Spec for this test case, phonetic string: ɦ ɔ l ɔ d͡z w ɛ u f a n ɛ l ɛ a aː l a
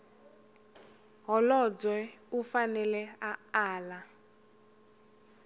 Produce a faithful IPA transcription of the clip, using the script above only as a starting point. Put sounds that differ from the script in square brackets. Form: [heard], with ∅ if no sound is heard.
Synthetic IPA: ɦ ɔ l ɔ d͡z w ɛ u f a n ɛ l ɛ a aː l a